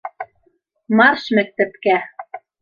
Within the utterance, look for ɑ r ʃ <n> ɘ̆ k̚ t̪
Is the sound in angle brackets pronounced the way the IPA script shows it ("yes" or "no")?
no